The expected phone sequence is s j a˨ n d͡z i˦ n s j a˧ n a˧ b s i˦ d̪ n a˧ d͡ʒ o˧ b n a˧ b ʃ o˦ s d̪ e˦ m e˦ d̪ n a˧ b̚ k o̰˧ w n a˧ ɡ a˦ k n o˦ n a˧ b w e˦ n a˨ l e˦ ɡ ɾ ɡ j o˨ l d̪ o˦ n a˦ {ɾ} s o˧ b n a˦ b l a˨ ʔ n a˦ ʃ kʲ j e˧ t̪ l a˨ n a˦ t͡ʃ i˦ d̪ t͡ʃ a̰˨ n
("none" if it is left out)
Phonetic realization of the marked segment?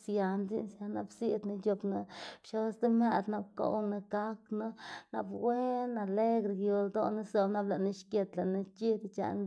none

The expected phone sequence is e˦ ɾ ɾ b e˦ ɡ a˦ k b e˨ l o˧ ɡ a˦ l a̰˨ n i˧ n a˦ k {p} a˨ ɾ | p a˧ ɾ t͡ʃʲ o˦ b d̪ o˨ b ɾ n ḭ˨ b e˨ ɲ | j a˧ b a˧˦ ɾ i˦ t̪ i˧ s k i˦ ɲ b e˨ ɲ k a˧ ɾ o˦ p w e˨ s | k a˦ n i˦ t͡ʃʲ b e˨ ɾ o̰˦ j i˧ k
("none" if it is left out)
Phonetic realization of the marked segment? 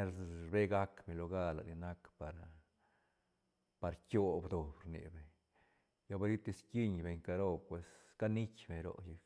p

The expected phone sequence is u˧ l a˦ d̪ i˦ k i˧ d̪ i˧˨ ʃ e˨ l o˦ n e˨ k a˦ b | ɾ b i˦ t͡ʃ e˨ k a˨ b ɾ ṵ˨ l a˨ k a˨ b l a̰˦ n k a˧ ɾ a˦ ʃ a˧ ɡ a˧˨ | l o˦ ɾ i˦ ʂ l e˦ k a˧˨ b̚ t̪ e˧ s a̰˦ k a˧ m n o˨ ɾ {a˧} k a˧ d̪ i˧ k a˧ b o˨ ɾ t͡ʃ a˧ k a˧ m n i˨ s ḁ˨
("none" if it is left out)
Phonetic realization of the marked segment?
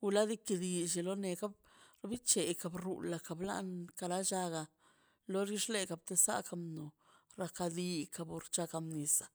a˧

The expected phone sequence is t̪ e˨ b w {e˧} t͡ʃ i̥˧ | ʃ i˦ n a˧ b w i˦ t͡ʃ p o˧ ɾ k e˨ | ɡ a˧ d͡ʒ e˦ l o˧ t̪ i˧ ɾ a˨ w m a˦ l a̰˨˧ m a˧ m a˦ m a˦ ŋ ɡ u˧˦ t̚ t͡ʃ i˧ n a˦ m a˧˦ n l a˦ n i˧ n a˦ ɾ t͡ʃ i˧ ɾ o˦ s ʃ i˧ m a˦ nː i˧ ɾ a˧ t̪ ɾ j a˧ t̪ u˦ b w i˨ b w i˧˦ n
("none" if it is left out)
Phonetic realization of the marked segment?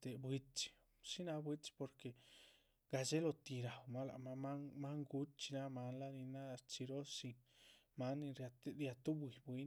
i˧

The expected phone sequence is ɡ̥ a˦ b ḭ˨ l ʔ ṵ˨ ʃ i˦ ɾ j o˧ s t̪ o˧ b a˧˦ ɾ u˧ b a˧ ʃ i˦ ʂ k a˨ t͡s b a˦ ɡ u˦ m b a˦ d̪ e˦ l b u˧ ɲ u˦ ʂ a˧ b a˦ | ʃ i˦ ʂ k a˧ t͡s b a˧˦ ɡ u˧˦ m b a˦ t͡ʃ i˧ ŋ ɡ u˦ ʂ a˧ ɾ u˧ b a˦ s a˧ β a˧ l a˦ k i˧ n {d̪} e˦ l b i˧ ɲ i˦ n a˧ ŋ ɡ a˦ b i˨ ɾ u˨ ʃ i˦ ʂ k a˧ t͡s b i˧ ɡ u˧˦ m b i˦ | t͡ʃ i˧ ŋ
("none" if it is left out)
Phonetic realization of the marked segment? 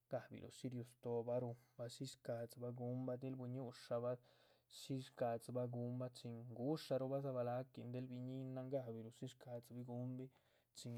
d̪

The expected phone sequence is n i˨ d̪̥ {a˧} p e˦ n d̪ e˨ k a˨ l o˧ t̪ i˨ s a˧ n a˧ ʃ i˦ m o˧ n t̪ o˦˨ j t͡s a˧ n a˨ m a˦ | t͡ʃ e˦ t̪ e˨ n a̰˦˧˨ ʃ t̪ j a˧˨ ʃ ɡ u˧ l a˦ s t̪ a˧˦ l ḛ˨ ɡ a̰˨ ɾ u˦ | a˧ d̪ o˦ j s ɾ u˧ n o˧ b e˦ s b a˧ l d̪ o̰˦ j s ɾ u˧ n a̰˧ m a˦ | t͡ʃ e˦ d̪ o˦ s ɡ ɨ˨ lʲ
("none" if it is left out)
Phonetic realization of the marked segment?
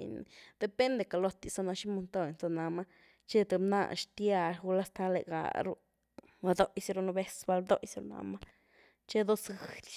e˧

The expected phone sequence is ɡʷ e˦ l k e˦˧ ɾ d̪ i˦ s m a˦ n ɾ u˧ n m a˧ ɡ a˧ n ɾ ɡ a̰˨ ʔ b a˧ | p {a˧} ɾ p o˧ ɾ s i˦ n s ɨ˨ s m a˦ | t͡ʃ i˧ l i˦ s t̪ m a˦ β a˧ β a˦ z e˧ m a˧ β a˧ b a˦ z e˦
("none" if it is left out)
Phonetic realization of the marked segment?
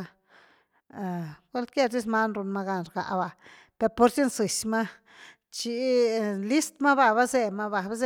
e˧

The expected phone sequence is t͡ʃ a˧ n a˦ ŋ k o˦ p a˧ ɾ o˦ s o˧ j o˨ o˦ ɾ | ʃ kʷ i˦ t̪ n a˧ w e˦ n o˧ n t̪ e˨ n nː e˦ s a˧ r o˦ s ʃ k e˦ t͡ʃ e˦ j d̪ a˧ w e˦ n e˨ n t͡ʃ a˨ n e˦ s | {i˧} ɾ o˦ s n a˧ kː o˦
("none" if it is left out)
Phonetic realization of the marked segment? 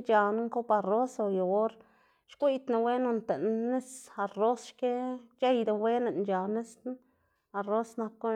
a˧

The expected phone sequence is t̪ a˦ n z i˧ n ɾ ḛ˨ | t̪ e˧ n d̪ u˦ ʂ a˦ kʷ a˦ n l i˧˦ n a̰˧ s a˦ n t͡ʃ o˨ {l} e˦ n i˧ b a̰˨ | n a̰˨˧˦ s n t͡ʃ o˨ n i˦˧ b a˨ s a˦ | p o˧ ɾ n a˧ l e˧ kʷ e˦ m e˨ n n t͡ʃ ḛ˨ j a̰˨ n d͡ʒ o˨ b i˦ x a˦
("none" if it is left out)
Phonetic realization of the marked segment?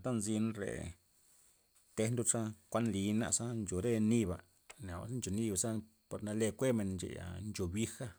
ɾ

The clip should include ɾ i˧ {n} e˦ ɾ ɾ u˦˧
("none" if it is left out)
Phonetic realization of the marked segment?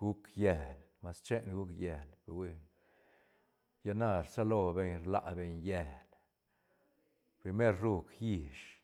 m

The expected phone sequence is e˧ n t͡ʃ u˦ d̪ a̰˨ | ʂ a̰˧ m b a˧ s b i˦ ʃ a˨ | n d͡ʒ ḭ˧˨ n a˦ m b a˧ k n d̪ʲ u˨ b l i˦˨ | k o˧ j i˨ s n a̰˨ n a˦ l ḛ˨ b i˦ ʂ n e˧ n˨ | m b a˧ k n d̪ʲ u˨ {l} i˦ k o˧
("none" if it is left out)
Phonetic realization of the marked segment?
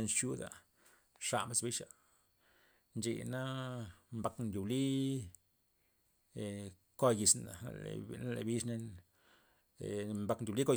l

